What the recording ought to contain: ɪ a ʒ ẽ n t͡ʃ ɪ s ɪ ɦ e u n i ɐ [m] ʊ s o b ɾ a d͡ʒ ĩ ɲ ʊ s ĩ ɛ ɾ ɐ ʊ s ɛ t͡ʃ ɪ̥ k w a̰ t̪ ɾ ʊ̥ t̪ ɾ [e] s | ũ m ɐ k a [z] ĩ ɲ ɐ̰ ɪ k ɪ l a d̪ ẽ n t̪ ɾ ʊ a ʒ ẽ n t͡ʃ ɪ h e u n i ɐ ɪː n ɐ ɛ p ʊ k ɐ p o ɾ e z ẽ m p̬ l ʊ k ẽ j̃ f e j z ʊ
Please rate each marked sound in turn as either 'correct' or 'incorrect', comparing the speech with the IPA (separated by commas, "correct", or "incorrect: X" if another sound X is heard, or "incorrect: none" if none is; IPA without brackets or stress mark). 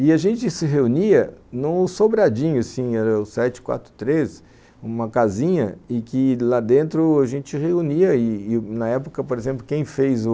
incorrect: n, correct, correct